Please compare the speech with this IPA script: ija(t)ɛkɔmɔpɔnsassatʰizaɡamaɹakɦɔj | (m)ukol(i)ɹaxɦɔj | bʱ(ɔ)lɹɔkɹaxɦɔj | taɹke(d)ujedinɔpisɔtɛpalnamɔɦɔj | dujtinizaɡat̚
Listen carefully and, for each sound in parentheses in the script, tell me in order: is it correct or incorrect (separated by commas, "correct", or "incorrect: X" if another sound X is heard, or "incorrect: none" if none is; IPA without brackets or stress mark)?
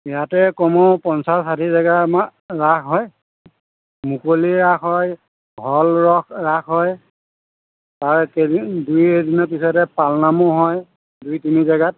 correct, correct, correct, correct, correct